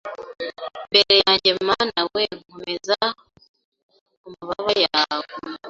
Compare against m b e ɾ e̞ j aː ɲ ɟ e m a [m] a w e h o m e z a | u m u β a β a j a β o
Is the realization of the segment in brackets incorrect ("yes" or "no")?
yes